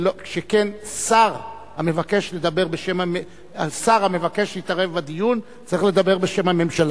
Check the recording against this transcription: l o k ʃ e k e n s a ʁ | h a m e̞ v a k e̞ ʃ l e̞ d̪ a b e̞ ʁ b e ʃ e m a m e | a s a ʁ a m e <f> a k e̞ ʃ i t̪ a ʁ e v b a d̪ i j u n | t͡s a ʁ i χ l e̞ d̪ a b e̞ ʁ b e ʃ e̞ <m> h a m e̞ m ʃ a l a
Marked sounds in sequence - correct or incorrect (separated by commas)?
incorrect, correct